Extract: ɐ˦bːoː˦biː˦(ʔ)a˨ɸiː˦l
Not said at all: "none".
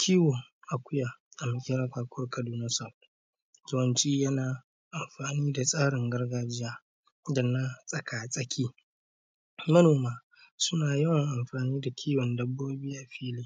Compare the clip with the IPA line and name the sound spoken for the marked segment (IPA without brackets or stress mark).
ʔ